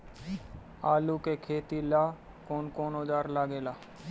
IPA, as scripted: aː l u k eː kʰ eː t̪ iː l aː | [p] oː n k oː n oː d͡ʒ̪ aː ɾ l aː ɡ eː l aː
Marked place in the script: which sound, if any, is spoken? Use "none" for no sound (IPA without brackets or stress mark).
k